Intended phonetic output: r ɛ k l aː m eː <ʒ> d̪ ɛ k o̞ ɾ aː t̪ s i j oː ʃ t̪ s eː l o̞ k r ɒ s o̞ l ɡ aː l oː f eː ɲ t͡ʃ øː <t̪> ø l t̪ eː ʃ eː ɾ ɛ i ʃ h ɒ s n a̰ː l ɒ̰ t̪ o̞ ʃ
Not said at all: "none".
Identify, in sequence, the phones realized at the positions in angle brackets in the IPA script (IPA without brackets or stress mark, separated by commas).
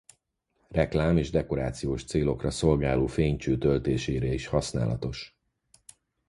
ʒ, t̪